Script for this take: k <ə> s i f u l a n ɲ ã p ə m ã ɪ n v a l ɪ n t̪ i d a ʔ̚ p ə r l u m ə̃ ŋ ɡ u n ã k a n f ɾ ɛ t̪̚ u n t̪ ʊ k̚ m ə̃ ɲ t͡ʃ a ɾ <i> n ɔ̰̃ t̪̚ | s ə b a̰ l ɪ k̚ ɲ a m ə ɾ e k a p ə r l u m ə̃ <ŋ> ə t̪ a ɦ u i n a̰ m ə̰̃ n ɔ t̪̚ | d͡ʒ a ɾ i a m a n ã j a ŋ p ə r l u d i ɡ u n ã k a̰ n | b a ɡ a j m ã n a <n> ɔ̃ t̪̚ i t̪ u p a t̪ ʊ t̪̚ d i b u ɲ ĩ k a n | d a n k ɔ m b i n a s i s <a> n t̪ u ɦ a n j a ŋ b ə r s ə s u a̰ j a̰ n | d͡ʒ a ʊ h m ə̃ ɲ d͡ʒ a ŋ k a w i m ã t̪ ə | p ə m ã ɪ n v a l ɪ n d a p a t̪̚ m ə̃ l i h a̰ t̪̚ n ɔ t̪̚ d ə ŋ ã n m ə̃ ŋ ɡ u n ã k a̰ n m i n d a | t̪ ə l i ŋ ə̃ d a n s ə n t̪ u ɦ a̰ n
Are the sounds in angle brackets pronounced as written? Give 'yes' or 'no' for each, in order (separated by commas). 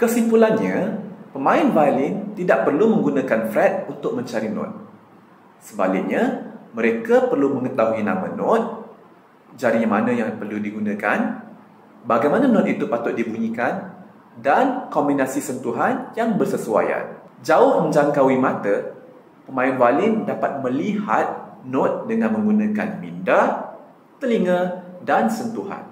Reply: yes, yes, yes, yes, no